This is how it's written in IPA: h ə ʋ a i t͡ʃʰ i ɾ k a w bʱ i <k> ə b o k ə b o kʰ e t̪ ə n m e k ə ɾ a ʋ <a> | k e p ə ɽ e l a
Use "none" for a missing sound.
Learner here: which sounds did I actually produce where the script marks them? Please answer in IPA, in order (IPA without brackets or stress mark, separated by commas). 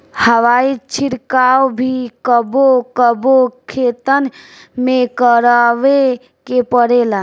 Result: k, e